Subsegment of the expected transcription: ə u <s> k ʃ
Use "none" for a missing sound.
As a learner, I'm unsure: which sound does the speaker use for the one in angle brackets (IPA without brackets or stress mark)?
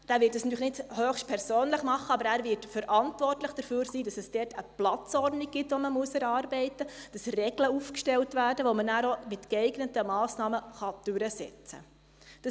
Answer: f